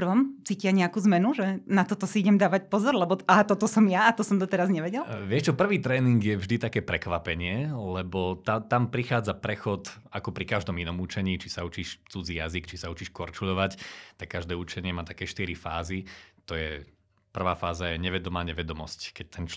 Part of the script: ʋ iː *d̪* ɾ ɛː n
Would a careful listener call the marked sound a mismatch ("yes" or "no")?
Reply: yes